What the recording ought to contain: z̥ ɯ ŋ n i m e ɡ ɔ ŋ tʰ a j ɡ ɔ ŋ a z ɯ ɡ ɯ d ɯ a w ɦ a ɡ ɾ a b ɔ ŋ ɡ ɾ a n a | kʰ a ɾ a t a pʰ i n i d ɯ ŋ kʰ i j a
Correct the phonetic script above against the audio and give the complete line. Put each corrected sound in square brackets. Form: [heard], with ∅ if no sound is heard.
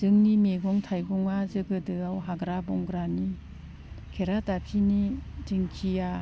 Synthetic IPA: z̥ ɯ ŋ n i m e ɡ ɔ ŋ tʰ a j ɡ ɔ ŋ a z ɯ ɡ ɯ d ɯ a w ɦ a ɡ ɾ a b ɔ ŋ ɡ ɾ a n [i] | kʰ [e] ɾ a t a pʰ i n i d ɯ ŋ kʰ i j a